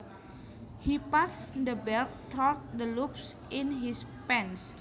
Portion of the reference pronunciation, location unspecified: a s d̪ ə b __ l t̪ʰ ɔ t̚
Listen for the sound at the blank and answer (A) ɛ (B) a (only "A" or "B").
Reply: A